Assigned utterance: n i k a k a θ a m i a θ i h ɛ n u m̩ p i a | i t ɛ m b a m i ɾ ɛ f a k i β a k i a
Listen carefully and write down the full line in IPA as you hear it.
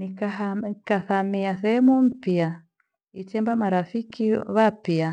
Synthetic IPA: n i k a k a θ a m i a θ ɛ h ɛ m u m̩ p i a | i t ɛ m b a m a ɾ a f i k i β a p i a